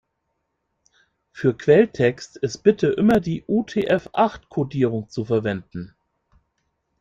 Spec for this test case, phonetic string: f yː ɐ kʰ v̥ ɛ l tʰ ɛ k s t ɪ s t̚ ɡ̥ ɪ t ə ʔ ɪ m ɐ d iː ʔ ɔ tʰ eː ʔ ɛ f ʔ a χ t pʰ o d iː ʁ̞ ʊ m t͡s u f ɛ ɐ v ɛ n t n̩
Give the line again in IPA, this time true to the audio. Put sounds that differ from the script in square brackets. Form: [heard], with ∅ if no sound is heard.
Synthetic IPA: f yː ɐ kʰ v̥ ɛ l tʰ ɛ k s t ɪ s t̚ [b̥] ɪ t ə ʔ ɪ m ɐ d iː ʔ [u] tʰ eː ʔ ɛ f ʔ a χ t [kʰ] o d iː ʁ̞ ʊ [ŋ] t͡s u f ɛ ɐ v ɛ n [d] n̩